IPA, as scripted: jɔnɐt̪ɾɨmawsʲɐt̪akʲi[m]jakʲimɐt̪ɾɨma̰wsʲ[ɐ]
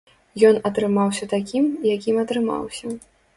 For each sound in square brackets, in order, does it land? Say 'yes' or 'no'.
yes, yes

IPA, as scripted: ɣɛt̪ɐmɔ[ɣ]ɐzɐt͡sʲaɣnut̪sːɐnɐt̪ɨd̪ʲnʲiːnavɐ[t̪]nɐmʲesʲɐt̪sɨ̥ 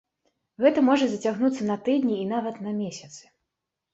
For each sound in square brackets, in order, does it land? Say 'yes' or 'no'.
no, yes

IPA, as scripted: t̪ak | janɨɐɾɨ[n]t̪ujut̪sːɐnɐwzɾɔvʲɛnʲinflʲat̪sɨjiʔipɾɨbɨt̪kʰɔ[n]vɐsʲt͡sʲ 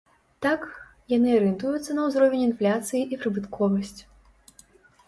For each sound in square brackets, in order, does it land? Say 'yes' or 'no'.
yes, no

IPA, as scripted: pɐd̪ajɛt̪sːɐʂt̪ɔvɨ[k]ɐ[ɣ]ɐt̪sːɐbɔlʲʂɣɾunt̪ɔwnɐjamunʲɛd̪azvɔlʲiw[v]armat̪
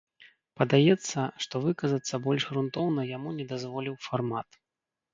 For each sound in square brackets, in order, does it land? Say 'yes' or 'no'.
yes, no, no

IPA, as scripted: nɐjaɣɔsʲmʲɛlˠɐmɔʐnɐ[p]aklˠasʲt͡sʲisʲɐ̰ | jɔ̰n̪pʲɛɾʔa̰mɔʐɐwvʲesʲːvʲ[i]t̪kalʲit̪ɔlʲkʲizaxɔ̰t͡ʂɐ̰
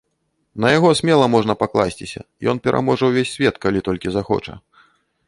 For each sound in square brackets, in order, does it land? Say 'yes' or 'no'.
yes, no

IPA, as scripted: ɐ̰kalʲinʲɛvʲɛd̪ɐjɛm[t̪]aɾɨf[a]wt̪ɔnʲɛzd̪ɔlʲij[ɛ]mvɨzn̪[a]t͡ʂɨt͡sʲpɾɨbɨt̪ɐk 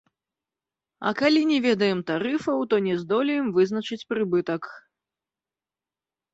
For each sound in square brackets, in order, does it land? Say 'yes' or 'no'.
yes, no, yes, no

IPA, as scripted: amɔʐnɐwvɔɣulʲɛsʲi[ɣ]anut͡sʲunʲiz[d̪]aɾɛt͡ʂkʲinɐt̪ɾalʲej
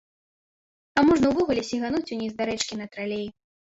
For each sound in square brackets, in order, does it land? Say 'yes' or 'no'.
yes, yes

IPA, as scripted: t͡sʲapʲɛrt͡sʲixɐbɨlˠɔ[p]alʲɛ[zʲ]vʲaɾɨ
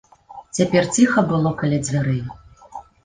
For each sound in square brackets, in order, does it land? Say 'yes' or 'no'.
no, no

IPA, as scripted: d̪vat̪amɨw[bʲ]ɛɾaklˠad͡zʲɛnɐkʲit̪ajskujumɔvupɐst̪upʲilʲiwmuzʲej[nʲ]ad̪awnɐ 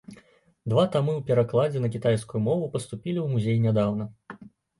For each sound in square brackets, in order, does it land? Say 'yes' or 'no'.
no, yes

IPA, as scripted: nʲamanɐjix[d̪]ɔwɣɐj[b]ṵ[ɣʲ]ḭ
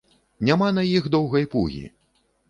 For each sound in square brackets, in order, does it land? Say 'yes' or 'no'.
yes, no, yes

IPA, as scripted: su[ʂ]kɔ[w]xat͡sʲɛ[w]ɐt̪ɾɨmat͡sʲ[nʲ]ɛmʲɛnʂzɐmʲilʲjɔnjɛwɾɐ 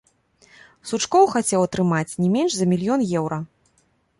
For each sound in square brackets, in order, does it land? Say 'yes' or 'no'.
no, yes, yes, yes

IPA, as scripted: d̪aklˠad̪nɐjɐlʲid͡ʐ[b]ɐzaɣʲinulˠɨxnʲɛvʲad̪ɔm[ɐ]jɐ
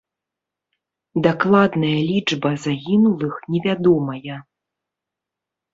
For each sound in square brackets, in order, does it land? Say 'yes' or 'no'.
yes, yes

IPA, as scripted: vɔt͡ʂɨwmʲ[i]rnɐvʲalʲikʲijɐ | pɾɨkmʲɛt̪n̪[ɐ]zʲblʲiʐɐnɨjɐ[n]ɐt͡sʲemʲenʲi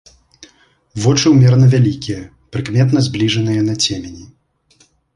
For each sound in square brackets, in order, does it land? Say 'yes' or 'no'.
no, yes, yes

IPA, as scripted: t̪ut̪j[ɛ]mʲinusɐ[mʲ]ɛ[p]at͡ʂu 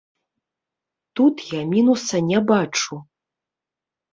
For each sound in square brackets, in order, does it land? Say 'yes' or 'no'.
no, no, no

